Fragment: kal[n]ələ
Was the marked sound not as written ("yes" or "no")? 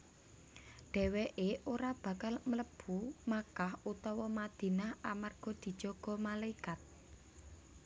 yes